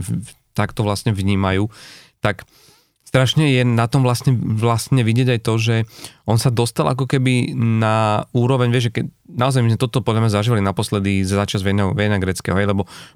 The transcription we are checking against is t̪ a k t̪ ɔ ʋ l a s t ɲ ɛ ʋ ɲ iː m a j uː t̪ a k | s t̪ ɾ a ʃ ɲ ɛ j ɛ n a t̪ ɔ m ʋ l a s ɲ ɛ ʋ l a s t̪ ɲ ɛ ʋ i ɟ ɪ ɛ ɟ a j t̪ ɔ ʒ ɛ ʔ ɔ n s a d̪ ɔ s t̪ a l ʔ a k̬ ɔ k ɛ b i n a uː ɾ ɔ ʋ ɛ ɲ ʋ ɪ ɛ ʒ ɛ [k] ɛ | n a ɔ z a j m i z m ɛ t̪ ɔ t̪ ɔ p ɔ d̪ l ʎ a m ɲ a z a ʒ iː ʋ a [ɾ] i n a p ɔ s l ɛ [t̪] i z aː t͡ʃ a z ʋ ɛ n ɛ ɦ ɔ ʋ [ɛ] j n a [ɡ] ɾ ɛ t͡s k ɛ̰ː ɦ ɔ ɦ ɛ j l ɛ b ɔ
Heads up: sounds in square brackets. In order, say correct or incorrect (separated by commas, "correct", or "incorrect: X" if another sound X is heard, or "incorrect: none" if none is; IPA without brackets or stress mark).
correct, incorrect: l, incorrect: d̪, correct, correct